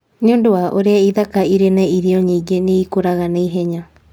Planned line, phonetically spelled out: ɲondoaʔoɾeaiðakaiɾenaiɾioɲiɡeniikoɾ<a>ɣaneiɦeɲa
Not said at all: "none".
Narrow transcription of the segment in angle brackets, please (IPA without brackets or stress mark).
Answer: a